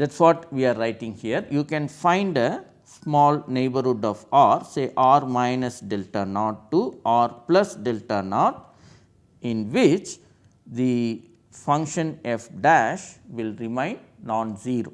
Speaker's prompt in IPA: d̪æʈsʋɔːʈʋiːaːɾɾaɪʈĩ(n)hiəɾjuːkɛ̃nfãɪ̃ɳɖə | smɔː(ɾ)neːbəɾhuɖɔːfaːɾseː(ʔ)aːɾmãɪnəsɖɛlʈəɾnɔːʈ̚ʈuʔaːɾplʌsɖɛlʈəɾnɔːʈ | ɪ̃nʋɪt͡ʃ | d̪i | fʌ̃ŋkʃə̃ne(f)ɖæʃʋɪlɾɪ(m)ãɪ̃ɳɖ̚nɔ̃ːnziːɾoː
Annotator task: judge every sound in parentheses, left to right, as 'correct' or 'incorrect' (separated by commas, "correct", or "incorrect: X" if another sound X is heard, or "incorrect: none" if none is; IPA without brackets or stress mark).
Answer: incorrect: ŋ, incorrect: l, correct, correct, correct